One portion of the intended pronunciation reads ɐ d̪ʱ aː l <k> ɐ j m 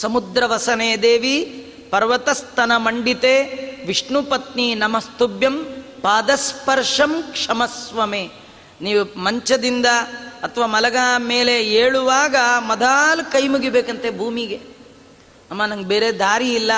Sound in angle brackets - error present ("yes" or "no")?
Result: no